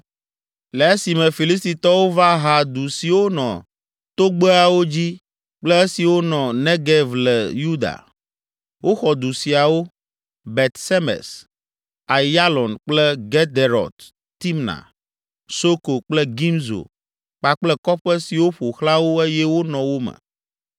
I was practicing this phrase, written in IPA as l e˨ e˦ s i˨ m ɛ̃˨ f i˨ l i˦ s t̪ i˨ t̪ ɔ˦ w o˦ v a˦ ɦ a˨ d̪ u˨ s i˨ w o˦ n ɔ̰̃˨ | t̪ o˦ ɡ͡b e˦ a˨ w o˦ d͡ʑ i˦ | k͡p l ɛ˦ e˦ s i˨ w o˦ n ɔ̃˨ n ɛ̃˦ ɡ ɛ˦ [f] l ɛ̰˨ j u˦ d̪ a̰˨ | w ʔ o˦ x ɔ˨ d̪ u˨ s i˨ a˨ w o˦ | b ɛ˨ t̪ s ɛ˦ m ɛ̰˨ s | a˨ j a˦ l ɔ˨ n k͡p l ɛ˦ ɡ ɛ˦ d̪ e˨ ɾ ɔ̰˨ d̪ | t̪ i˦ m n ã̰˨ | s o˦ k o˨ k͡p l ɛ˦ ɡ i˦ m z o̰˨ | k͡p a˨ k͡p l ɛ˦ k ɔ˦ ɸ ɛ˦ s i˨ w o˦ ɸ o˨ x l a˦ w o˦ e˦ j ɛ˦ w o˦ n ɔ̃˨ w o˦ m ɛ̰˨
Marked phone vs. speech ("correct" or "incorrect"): incorrect